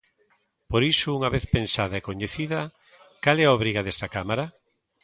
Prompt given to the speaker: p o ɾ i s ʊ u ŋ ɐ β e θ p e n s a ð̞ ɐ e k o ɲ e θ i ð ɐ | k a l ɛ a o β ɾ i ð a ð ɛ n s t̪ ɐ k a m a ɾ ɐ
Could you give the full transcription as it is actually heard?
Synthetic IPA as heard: p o ɾ i s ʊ u ŋ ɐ β e θ p e n s a ð̞ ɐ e k o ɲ e θ i ð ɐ | k a l ɛ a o β ɾ i ɣ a ð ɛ s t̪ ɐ k a m a ɾ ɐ